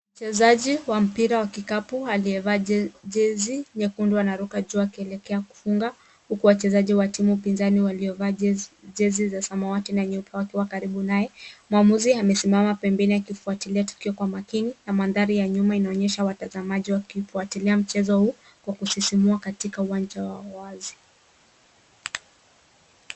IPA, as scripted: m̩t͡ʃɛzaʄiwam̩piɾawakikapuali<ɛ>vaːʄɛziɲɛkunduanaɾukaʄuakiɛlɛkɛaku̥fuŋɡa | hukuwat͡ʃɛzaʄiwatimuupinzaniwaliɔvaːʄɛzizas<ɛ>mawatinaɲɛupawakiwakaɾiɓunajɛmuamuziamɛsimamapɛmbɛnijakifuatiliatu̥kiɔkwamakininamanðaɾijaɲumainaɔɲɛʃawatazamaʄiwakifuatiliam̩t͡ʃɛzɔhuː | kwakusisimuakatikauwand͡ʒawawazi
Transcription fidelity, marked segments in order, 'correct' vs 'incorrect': correct, incorrect: a

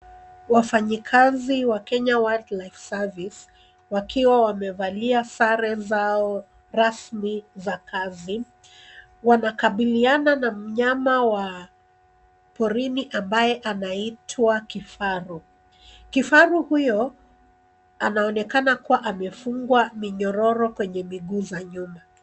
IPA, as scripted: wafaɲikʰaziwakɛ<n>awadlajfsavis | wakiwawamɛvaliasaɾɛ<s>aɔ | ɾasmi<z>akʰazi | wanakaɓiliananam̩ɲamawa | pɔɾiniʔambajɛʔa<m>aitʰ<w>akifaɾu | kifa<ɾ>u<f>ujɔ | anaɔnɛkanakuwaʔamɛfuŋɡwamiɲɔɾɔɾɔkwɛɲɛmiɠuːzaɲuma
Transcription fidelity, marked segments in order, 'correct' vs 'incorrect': incorrect: ɲ, incorrect: z, correct, incorrect: n, correct, correct, incorrect: h

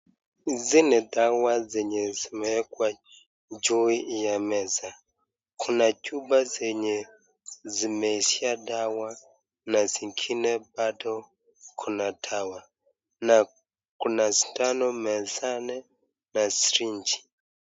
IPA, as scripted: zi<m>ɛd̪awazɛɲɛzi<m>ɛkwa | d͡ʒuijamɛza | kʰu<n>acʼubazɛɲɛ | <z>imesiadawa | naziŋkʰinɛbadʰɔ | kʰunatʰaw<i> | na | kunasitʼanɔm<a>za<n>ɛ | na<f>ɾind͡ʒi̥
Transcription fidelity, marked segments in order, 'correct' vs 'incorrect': incorrect: n, correct, correct, correct, incorrect: a, incorrect: ɛ, correct, incorrect: s

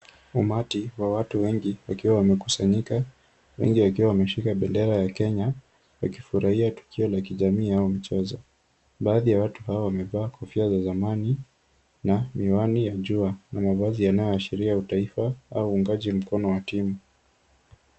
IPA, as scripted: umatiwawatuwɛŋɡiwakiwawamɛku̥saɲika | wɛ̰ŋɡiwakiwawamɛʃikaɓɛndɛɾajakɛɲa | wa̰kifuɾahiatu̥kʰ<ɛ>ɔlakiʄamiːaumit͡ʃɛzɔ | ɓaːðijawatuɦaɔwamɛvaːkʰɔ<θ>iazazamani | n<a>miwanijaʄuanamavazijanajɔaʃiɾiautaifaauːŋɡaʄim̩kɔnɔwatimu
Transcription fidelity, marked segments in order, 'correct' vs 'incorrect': incorrect: i, incorrect: f, correct

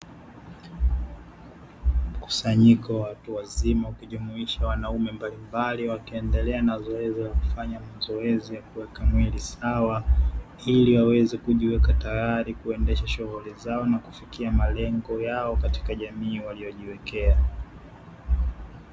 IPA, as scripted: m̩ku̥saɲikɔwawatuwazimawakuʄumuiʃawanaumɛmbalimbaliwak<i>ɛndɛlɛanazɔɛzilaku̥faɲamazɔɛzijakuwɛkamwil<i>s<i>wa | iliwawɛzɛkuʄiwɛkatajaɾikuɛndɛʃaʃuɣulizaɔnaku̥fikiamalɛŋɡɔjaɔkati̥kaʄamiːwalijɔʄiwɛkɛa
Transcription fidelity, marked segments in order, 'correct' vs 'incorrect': correct, correct, incorrect: a

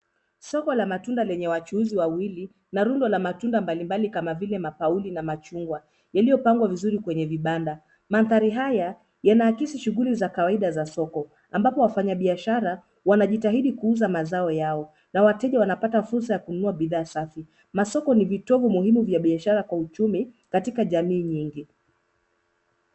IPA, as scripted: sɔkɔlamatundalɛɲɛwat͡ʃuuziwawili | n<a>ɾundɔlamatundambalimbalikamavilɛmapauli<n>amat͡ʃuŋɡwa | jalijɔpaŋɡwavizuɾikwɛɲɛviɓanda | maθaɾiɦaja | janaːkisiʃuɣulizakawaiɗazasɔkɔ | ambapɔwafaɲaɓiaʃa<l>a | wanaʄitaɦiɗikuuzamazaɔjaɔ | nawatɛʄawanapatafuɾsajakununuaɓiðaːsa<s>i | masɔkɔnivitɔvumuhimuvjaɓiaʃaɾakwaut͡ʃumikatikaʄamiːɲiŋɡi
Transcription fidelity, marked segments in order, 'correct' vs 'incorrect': correct, correct, incorrect: ɾ, incorrect: f

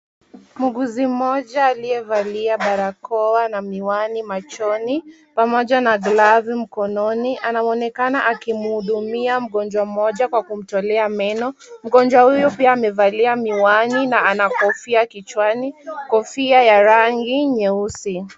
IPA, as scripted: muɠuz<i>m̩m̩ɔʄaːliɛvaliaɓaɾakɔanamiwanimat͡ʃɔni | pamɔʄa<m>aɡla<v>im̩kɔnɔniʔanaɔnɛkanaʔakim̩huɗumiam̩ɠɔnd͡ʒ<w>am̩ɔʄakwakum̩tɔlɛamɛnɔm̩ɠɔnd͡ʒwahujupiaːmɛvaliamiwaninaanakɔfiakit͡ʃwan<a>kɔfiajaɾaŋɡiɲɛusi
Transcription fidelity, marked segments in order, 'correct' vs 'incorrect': correct, incorrect: n, correct, correct, incorrect: i

